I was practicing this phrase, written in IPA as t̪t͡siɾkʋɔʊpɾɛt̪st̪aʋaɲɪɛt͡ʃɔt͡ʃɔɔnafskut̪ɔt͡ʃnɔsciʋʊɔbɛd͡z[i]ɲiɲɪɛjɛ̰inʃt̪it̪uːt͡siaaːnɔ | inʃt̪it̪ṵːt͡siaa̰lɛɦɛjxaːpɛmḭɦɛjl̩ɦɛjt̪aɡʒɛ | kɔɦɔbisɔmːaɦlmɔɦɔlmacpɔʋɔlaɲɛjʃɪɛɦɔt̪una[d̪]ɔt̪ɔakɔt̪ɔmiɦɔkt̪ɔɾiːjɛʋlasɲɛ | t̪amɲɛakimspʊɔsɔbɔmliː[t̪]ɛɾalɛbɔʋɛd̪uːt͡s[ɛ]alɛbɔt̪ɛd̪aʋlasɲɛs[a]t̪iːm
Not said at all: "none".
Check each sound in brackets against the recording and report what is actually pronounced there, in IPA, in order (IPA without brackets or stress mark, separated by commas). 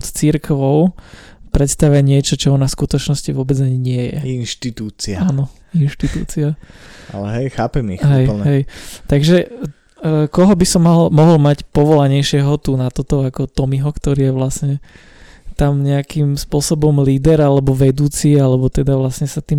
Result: a, t̪, d̪, i, a